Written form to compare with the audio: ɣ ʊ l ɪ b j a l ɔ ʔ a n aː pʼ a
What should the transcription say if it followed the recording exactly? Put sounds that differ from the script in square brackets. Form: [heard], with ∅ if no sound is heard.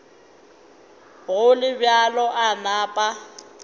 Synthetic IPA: ɣ ʊ l ɪ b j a l ɔ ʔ a n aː pʼ a